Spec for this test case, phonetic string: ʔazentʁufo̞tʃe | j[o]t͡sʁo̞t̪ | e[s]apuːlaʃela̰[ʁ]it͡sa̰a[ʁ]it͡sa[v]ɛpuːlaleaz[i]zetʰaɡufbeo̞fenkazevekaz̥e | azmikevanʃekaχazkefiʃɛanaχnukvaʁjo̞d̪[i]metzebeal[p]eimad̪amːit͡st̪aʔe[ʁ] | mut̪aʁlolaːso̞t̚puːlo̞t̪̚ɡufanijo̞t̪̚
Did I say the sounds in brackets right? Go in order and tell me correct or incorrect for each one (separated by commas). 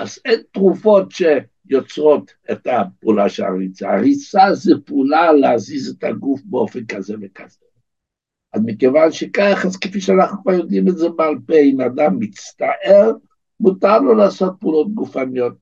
correct, incorrect, correct, correct, incorrect, correct, correct, correct, correct